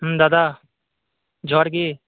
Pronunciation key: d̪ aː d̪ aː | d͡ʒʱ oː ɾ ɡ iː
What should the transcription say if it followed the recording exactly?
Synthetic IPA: d̪ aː d̪ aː | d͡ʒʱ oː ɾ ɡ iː

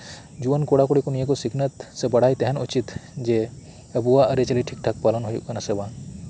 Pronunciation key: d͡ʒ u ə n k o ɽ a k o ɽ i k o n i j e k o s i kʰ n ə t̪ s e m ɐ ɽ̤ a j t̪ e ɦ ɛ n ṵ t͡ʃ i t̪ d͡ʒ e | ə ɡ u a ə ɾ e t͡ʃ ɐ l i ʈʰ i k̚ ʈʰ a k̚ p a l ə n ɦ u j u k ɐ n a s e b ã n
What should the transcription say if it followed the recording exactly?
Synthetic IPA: d͡ʒ u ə n k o ɽ a k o ɽ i k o n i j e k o s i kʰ n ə t̪ s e b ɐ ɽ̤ a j t̪ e ɦ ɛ n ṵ t͡ʃ i t̪ d͡ʒ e | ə b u a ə ɾ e t͡ʃ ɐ l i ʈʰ i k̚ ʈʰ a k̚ p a l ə n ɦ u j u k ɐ n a s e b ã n

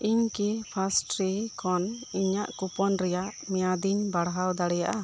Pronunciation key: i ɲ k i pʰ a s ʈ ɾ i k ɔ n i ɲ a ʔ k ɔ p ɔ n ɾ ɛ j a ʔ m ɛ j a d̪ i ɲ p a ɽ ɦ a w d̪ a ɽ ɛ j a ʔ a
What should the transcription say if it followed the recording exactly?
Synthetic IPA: i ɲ k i pʰ a s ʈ ɾ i k ɔ n i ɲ a ʔ k u p ɔ n ɾ ɛ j a ʔ m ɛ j a d̪ i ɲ b a ɽ ɦ a w d̪ a ɽ ɛ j a ʔ a

